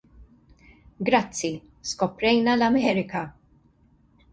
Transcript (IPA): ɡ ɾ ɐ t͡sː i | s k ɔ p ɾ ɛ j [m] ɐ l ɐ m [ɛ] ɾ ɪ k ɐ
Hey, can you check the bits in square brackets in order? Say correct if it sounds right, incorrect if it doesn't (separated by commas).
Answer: incorrect, incorrect